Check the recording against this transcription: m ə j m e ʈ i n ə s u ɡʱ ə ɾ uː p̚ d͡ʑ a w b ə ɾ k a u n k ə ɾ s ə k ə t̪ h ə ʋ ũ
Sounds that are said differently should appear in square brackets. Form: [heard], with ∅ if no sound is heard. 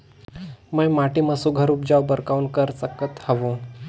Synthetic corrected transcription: m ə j m [a] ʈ i [m] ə s u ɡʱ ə ɾ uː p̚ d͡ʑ a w b ə ɾ k a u n k ə ɾ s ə k ə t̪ h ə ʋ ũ